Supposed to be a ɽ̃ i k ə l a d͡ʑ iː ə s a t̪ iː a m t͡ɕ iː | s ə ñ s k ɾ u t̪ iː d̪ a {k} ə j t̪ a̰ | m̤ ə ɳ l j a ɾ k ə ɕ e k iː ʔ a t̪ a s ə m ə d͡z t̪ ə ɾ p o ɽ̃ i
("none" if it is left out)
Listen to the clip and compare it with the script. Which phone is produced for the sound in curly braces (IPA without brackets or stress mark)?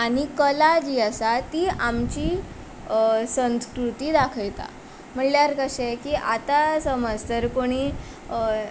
kʰ